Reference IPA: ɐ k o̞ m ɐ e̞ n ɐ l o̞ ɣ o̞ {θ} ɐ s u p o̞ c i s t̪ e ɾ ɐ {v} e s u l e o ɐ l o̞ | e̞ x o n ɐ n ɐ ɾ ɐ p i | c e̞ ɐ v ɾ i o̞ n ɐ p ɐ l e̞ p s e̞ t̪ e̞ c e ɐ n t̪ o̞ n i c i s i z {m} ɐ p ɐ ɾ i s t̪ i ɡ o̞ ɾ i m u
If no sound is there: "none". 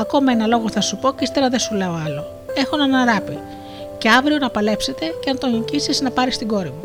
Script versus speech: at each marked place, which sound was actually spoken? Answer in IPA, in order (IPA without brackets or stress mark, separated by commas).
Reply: θ, ð, n